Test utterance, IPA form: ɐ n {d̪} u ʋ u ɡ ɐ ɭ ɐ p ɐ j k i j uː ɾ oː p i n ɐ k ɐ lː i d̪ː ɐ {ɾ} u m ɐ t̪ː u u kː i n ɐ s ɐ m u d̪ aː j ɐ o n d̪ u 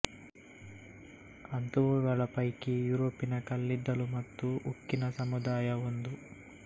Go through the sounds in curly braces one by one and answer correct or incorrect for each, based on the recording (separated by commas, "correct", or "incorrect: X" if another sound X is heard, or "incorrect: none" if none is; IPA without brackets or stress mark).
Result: incorrect: t̪, incorrect: l